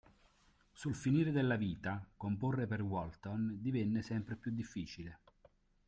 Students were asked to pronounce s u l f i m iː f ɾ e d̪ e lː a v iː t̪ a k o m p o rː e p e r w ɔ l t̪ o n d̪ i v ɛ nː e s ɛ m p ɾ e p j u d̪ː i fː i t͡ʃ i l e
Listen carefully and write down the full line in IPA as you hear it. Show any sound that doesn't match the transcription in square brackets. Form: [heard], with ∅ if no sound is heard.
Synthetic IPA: s u l f i [n] iː [∅] ɾ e d̪ e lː a v iː t̪ a k o m p o rː e p e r w ɔ l t̪ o n d̪ i v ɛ nː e s ɛ m p ɾ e p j u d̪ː i fː [iː] t͡ʃ i l e